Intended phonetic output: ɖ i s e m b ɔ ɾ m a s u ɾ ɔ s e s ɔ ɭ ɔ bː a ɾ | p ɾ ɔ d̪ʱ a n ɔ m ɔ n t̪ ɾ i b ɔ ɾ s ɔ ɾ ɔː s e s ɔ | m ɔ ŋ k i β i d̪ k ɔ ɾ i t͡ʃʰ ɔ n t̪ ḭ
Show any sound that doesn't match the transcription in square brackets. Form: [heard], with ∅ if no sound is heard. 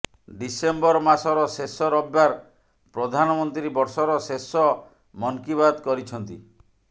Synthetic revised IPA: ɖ i s e m b ɔ ɾ m a s [ɔ] ɾ ɔ s e s ɔ [ɾ] ɔ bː a ɾ | p ɾ ɔ d̪ʱ a n ɔ m ɔ n t̪ ɾ i b ɔ ɾ s ɔ ɾ [ɔ] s e s ɔ | m ɔ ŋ k i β [a] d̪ k ɔ ɾ i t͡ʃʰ ɔ n t̪ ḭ